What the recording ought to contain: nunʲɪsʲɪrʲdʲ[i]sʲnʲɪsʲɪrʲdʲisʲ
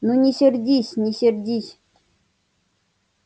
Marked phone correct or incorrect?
correct